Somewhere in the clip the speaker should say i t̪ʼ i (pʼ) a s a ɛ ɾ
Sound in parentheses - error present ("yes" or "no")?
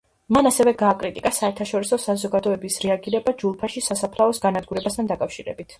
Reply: yes